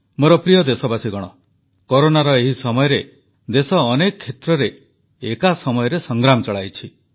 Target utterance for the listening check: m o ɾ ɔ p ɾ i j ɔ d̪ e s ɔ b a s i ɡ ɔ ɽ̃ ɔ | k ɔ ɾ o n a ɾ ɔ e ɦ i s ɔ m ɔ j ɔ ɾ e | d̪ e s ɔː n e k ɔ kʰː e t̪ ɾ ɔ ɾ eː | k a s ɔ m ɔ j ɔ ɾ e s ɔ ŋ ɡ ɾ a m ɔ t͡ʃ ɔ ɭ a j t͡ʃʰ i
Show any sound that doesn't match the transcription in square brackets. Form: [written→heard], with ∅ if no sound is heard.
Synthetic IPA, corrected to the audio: m o ɾ ɔ p ɾ i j ɔ d̪ e s ɔ b a s i ɡ ɔ ɽ̃ ɔ | k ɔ ɾ o n a ɾ ɔ e ɦ i s ɔ m ɔ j ɔ ɾ e | d̪ e s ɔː n e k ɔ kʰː e t̪ ɾ ɔ ɾ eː | k a s ɔ m ɔ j ɔ ɾ e s ɔ ŋ ɡ ɾ a m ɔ t͡ʃ ɔ ɭ a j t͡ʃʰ i